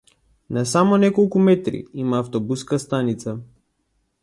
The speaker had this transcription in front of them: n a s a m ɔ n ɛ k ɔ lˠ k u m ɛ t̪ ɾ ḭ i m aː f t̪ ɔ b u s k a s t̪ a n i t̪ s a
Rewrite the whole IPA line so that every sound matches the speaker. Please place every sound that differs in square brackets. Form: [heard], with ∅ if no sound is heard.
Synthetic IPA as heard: n a s a m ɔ n ɛ k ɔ lˠ k u m ɛ t̪ ɾ ḭ i m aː f t̪ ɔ b u s k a s t̪ a n i t̪ s a